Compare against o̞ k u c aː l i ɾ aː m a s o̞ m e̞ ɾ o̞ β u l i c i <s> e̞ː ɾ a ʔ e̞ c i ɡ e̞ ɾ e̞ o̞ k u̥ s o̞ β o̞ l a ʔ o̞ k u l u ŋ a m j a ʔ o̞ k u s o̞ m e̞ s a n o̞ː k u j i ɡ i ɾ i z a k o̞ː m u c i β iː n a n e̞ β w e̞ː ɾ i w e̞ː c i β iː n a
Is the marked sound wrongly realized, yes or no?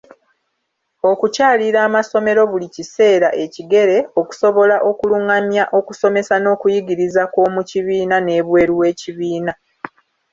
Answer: no